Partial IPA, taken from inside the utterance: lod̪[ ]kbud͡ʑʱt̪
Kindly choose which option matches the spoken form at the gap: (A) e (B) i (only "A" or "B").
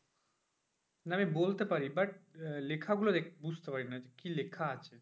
A